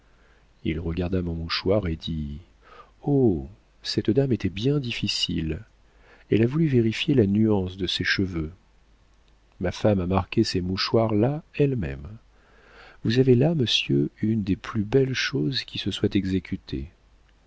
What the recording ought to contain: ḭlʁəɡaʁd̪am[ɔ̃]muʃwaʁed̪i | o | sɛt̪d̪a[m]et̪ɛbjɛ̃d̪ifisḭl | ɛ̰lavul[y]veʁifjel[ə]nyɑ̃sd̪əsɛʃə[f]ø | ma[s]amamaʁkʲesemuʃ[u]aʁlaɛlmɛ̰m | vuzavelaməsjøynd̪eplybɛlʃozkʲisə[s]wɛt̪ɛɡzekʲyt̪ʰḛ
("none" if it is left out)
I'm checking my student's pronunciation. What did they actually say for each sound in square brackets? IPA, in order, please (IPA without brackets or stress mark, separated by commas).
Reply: ɔ̃, m, y, a, v, f, w, s